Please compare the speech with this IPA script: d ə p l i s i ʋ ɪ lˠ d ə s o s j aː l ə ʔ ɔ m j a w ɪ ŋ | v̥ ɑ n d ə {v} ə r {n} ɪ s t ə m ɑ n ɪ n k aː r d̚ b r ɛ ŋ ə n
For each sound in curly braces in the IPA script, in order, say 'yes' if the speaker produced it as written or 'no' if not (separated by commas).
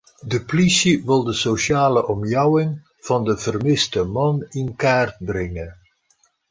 yes, no